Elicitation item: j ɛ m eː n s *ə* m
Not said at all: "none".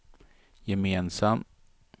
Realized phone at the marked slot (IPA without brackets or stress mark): a